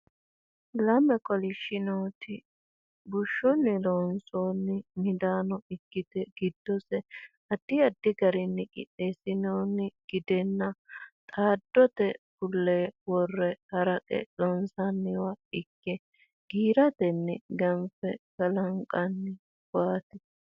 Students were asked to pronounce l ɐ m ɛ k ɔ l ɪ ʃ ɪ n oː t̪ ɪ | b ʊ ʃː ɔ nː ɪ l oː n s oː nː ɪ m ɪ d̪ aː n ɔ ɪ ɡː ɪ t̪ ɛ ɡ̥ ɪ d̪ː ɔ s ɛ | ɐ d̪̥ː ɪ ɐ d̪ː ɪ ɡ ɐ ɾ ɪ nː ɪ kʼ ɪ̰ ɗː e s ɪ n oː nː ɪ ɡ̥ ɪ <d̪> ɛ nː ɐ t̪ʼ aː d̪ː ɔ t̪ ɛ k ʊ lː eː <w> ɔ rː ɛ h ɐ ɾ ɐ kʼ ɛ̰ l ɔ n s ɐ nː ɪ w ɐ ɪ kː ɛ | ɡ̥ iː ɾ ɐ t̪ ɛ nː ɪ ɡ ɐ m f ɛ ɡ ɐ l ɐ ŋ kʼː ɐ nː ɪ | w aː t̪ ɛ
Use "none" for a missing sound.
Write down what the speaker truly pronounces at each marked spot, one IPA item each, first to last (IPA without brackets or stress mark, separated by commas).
d̪, w